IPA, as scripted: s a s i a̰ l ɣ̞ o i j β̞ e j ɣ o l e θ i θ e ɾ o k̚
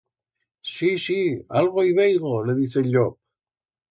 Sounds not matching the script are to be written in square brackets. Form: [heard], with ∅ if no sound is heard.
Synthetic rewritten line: s [i] s i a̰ l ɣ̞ o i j β̞ e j ɣ o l e [ð] i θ e [ʎ] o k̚

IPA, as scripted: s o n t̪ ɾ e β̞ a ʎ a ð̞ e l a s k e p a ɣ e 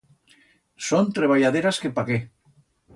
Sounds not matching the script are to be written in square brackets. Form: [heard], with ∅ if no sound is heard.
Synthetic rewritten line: s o n t̪ ɾ e β̞ a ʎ a ð̞ e [ɾ] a s k e p a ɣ e

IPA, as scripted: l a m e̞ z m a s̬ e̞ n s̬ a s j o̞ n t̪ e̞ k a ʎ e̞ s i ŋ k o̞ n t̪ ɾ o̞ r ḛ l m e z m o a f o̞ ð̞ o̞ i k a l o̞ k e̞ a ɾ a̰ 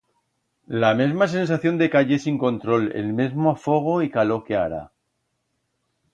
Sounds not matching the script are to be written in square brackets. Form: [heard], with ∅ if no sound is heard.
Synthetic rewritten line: l a m e̞ z m a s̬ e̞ n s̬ a [θ] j o̞ n [d̪] e̞ k a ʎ e̞ s i ŋ k o̞ n t̪ ɾ o̞ [l] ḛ l m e z m o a f o̞ [ɣ̞] o̞ i k a l o̞ k e̞ a ɾ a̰

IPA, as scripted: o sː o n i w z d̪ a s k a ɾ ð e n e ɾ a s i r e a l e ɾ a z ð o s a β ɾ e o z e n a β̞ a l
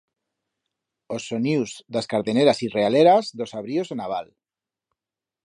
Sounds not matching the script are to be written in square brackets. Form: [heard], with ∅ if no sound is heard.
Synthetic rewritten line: o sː o n i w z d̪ a s k a ɾ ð e n e ɾ a s i r e a l e ɾ a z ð o s a β ɾ [i] o z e n a β̞ a l

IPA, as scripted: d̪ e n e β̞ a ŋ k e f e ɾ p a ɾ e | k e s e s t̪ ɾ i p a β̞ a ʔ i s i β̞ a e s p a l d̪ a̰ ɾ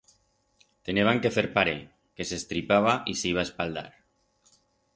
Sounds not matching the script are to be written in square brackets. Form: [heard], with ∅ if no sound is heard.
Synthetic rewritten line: [t̪] e n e β̞ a ŋ k e f e ɾ p a ɾ e | k e s e s t̪ ɾ i p a β̞ a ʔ i s i β̞ a e s p a l d̪ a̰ ɾ

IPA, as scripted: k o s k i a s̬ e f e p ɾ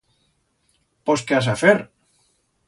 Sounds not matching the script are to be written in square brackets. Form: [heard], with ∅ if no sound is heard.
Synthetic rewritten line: [p] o s k [e] a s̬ [a] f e [∅] ɾ

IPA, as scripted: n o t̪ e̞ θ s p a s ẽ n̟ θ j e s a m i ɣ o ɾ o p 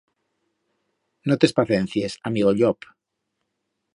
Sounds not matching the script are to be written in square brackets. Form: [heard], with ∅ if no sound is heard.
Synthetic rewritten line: n o t̪ e̞ [∅] s p a [θ] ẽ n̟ θ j e s a m i ɣ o [ʎ] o p

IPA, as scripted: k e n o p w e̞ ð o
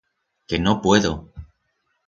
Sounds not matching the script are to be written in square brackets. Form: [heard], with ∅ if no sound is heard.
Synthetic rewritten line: k e n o p w e̞ ð o

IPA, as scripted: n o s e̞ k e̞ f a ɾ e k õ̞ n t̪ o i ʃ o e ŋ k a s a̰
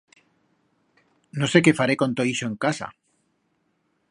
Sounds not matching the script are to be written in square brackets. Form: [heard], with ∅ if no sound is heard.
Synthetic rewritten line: n o s e̞ k e̞ f a ɾ e k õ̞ n t̪ o i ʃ o e ŋ k a s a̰

